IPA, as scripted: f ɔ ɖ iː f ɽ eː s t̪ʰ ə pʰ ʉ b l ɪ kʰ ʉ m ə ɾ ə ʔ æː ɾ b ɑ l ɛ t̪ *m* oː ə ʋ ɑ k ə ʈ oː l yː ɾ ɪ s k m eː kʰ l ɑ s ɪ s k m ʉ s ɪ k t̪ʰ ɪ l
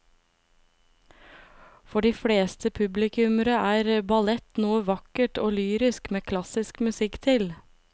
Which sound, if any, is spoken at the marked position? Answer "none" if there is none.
n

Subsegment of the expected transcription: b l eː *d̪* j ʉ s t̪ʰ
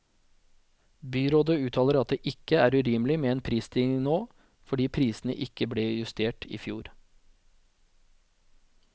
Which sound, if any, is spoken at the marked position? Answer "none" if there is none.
none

